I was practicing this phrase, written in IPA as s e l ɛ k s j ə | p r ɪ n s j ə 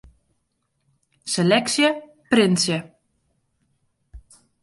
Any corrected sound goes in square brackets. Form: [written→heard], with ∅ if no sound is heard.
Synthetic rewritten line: s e l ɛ k s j ə | p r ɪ n s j ə